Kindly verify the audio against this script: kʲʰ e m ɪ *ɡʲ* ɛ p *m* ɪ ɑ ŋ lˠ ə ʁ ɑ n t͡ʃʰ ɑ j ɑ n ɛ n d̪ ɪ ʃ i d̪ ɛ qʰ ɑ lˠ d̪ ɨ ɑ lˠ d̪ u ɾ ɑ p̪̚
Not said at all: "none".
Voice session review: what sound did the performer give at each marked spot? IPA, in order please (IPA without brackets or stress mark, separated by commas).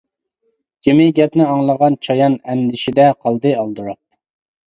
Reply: ɡʲ, n